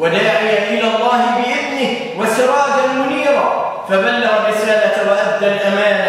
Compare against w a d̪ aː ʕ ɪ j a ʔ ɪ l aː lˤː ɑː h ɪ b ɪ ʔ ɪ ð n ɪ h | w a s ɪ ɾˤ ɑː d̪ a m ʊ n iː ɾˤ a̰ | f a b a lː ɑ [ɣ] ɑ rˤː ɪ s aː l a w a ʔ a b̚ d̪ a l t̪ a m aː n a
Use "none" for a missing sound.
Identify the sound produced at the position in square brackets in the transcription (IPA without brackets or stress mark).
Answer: ɣ